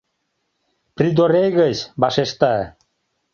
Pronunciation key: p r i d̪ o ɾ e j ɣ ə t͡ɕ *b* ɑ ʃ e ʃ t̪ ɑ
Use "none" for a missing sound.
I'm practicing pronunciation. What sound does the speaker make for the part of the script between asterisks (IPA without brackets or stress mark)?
b